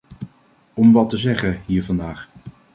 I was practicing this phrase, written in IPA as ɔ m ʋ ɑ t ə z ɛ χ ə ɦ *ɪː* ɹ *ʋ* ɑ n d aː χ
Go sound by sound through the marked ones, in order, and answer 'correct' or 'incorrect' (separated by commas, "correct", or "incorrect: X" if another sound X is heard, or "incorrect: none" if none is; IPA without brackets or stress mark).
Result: incorrect: iː, incorrect: v